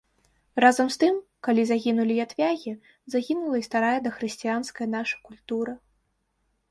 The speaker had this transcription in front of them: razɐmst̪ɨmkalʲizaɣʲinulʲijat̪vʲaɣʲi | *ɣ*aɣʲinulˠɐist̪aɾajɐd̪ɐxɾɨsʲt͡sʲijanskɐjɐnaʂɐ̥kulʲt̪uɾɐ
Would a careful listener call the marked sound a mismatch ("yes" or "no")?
yes